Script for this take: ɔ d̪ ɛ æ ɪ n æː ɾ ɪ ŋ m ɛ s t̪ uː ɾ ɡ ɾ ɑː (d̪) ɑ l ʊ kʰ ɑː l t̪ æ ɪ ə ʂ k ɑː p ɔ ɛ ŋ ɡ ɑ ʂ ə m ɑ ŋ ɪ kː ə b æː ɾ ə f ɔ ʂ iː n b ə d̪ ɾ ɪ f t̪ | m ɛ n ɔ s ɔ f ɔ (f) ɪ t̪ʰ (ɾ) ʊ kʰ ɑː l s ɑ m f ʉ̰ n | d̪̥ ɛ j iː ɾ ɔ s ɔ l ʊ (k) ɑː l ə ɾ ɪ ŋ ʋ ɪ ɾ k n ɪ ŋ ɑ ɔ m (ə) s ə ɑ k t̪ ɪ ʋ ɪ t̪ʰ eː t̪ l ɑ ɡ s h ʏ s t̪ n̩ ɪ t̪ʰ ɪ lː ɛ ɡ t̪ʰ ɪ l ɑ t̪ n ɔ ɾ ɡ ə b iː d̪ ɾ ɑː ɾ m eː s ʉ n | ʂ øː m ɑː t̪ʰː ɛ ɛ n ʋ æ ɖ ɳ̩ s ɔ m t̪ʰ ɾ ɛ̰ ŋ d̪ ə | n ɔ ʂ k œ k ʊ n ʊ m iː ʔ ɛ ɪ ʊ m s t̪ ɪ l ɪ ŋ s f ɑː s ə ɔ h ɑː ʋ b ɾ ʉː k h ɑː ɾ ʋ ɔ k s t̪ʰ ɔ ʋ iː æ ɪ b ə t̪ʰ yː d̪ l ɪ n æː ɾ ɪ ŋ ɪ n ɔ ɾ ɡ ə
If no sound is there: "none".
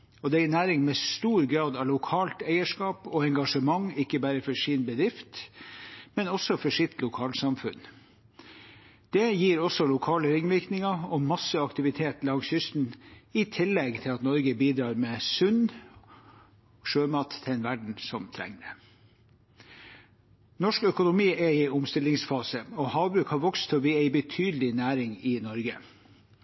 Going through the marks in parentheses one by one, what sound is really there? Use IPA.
d̪, ʂ, l, kʰ, ɑ

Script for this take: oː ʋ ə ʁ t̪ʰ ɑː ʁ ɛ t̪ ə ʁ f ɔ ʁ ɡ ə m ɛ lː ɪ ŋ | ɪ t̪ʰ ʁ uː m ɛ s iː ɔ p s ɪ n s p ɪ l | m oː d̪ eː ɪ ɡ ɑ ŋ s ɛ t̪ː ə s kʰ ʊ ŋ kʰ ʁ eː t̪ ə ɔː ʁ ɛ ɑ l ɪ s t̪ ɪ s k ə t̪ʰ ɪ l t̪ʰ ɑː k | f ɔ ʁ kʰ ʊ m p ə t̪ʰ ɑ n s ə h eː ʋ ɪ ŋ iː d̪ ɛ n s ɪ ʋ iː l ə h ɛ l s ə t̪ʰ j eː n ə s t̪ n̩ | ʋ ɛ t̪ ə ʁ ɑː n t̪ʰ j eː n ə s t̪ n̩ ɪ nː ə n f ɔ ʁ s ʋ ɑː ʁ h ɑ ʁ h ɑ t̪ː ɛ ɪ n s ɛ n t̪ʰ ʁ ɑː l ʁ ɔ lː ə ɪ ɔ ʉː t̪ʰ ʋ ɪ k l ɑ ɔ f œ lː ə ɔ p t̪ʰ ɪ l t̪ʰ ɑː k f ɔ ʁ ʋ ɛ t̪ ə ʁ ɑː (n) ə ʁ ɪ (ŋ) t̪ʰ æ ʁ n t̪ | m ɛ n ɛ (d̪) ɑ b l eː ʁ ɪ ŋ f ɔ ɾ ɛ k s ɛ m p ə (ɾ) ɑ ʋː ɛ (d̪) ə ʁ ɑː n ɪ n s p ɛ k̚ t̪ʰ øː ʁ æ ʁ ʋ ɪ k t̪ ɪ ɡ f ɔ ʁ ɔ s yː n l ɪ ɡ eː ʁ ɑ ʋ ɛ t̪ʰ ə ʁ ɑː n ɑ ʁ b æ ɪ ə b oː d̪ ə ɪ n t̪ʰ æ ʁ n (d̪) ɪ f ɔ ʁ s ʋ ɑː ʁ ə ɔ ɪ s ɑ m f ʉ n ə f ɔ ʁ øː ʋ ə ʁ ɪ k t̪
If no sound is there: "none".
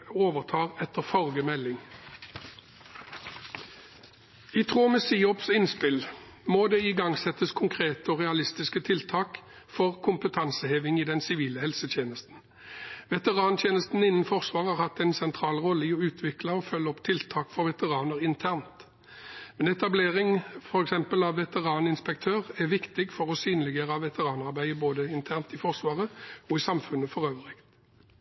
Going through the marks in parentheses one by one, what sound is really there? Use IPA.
n, n, t̪, l, t̪, t̪

